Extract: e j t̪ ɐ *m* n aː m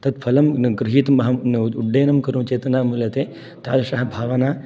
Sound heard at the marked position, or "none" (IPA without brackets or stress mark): none